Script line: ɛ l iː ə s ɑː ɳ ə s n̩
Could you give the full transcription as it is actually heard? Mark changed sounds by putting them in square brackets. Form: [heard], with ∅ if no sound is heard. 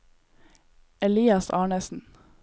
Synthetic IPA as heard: ɛ l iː [ɑ] s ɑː ɳ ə s n̩